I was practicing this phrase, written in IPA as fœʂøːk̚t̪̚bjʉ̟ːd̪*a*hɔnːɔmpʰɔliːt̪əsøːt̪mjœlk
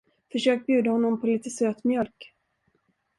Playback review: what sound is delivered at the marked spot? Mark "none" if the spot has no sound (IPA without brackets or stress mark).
a